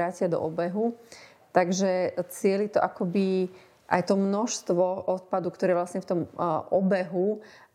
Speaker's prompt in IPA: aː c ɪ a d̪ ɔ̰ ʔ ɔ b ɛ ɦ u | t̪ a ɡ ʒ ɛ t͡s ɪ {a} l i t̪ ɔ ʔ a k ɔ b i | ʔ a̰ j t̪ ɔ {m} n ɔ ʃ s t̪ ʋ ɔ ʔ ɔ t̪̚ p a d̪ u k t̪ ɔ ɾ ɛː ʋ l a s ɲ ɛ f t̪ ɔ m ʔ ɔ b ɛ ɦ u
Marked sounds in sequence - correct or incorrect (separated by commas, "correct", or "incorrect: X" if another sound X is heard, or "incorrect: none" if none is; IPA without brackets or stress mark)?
incorrect: ɛ, correct